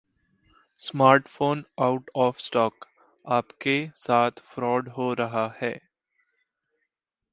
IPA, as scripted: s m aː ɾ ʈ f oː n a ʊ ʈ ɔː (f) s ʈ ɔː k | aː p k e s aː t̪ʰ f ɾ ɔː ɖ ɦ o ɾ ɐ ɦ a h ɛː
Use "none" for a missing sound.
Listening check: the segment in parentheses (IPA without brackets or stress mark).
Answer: f